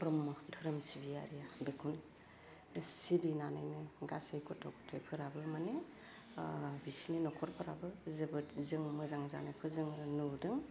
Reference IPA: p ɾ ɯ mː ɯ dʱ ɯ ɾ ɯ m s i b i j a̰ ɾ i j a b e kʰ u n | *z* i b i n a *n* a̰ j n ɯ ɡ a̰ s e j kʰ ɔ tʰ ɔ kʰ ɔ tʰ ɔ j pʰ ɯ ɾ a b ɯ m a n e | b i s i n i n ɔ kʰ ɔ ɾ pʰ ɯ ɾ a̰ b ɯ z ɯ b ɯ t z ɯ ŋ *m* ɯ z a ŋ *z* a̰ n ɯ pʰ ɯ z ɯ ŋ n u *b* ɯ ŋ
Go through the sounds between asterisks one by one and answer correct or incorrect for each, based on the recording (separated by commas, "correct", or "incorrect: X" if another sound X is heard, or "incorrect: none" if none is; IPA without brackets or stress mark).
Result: incorrect: s, correct, correct, correct, incorrect: d